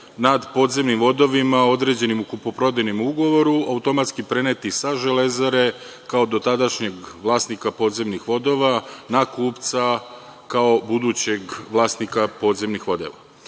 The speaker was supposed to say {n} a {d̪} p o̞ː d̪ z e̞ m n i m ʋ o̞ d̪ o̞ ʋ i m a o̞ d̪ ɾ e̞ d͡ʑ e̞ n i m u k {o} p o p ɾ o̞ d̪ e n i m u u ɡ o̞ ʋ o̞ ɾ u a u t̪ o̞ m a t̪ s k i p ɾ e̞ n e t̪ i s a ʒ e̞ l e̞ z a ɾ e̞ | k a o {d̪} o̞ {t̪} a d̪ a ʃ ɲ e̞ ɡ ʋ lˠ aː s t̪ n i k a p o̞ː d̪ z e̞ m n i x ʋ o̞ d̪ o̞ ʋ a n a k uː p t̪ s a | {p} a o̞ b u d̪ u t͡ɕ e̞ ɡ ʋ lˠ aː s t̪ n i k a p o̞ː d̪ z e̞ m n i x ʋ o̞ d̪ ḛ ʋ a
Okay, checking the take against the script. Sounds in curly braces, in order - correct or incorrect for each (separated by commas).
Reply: correct, correct, incorrect, correct, correct, incorrect